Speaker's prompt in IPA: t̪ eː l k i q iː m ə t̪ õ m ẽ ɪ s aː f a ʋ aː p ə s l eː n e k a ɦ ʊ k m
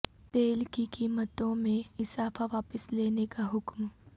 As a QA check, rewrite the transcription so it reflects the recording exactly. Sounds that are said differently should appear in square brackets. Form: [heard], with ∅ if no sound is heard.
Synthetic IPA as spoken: t̪ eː l k i [k] iː m ə t̪ õ m ẽ ɪ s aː f a ʋ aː p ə s l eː n e k a ɦ ʊ k m